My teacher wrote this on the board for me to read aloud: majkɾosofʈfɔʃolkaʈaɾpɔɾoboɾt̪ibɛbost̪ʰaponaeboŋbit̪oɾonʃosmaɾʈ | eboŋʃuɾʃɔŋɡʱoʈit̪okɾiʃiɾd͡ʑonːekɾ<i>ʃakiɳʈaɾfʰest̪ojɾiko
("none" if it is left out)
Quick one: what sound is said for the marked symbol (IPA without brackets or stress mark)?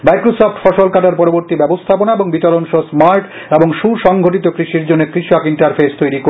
i